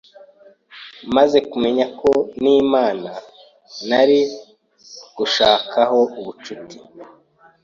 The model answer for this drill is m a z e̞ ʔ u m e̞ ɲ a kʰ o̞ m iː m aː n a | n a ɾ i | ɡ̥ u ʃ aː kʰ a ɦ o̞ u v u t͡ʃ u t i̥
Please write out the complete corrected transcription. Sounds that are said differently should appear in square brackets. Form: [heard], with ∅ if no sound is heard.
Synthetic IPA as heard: m a z e̞ [k] u m e̞ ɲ a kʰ o̞ [n] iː m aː n a | n a ɾ i | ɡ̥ u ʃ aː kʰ a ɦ o̞ u [β] u t͡ʃ u t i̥